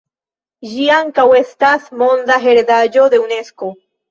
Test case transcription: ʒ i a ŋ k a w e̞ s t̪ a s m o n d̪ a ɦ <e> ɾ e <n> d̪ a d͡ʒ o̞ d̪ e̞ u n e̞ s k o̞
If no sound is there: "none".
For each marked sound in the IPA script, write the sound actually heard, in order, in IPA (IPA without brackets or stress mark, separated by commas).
e, none